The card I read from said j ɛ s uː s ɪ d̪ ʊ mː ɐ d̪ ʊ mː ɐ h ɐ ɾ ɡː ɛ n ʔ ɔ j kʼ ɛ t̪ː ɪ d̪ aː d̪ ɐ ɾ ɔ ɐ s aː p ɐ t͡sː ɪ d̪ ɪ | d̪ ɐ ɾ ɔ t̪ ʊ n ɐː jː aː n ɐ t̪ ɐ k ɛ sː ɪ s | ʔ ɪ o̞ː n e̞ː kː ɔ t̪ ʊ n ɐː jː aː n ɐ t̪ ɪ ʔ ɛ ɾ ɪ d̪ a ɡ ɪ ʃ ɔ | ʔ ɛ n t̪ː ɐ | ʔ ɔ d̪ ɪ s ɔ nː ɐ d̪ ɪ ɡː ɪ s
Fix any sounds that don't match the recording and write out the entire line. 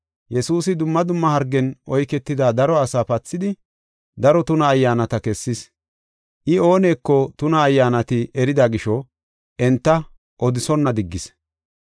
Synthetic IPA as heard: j ɛ s uː s ɪ d̪ ʊ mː ɐ d̪ ʊ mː ɐ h ɐ ɾ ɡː ɛ n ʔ ɔ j k ɛ t̪ː ɪ d̪ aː d̪ ɐ ɾ ɔ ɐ s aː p ɐ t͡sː ɪ d̪ ɪ | d̪ ɐ ɾ ɔ t̪ ʊ n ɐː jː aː n ɐ t̪ ɐ k ɛ sː ɪ s | ʔ ɪ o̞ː n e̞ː kː ɔ t̪ ʊ n ɐː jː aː n ɐ t̪ ɪ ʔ ɛ ɾ ɪ d̪ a ɡ ɪ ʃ ɔ | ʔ ɛ n t̪ː ɐ | ʔ ɔ d̪ ɪ s ɔ nː ɐ d̪ ɪ ɡː ɪ s